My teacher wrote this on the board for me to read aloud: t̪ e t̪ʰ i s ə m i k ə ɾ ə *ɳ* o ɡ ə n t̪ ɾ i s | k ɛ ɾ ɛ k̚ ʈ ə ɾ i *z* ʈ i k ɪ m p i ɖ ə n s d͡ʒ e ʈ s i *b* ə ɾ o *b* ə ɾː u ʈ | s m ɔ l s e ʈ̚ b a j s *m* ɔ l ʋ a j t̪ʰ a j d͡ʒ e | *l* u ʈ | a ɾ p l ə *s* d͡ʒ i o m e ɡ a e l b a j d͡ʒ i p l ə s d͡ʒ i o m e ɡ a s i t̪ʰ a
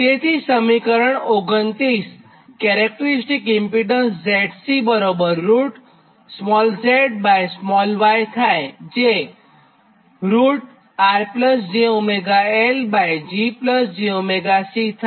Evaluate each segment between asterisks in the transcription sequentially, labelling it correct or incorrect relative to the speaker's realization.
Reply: correct, incorrect, correct, correct, correct, incorrect, correct

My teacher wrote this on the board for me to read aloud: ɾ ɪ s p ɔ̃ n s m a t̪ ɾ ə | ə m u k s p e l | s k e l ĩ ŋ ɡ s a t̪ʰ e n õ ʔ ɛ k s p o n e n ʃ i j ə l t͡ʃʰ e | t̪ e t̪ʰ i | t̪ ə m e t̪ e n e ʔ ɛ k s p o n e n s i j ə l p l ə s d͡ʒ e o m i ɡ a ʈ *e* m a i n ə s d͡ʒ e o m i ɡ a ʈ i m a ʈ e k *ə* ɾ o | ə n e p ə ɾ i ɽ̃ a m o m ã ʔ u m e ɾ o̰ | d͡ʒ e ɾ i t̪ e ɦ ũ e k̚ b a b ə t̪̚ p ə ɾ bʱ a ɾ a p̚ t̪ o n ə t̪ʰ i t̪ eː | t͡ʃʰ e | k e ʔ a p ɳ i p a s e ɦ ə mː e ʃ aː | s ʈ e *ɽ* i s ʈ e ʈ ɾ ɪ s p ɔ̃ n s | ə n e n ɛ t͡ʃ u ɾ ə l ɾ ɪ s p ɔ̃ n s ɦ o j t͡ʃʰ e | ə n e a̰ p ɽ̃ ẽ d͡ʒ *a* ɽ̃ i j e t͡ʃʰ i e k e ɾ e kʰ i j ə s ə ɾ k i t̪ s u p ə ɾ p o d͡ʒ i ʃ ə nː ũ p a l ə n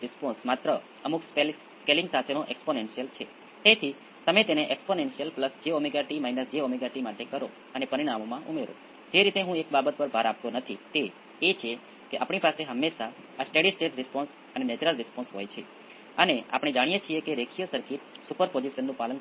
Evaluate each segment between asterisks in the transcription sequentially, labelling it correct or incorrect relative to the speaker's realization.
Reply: incorrect, correct, correct, correct

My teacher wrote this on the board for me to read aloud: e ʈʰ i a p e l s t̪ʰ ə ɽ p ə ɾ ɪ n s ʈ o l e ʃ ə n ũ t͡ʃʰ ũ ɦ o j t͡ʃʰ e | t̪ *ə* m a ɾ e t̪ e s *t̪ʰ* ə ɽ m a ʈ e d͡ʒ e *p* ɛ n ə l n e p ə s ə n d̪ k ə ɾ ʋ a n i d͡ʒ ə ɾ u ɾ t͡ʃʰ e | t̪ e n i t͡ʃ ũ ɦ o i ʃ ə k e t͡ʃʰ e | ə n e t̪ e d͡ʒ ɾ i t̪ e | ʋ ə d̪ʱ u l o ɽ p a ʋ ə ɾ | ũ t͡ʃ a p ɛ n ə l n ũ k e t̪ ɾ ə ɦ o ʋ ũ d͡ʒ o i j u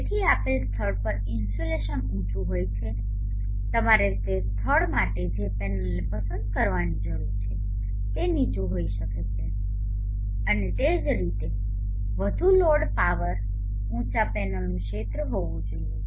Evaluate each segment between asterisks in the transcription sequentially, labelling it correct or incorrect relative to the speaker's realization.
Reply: correct, correct, correct

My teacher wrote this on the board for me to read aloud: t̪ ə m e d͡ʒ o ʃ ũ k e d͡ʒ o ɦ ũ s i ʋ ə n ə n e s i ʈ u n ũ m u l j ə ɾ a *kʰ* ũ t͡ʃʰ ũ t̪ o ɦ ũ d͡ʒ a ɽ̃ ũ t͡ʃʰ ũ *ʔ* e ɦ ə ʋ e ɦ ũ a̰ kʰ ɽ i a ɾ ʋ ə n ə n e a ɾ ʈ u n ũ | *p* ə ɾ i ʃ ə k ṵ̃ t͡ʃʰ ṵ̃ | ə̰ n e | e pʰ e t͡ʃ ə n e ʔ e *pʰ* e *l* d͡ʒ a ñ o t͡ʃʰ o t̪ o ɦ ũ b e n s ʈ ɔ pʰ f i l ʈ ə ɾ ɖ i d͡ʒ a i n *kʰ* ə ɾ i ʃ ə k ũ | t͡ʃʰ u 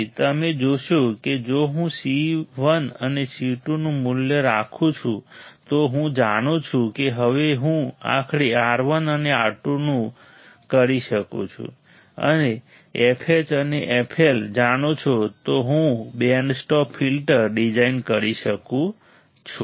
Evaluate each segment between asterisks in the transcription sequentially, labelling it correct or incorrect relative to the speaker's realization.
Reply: correct, incorrect, incorrect, correct, correct, incorrect

